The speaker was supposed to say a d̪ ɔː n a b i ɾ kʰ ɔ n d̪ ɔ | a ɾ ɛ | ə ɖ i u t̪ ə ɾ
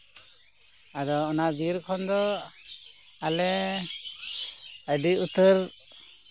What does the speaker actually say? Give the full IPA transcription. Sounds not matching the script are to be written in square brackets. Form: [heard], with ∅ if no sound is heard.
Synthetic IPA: a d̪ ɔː n a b i ɾ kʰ ɔ n d̪ ɔ | a [l] ɛ | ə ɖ i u t̪ ə ɾ